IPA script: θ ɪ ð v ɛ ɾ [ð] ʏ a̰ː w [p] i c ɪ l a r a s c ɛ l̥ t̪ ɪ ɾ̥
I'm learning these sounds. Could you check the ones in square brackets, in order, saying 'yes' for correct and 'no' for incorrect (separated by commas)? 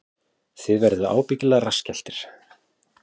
yes, yes